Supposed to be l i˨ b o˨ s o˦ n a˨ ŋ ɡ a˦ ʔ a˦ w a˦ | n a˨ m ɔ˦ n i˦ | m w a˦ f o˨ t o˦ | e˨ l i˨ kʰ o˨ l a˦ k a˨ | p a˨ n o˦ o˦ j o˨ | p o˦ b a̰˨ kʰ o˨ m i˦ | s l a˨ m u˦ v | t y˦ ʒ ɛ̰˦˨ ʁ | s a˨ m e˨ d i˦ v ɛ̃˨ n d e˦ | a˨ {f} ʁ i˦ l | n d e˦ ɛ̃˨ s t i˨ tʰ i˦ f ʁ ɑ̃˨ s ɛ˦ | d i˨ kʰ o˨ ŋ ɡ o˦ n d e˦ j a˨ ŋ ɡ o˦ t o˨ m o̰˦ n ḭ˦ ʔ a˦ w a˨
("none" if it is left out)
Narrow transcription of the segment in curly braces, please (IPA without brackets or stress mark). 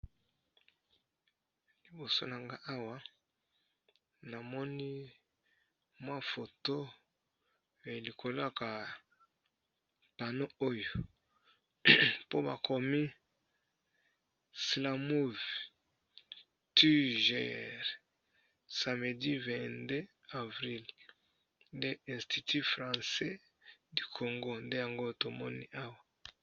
v